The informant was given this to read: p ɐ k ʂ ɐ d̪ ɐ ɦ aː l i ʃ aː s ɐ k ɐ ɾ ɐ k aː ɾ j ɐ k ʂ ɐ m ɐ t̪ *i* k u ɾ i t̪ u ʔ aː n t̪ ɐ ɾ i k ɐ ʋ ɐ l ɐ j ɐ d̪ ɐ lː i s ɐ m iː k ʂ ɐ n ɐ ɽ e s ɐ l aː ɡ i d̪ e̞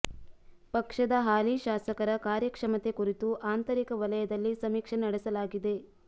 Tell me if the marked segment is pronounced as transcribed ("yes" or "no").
no